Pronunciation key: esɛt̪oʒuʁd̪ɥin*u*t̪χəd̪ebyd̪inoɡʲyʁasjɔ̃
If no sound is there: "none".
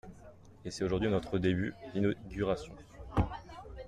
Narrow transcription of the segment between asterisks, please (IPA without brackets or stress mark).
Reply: ɔ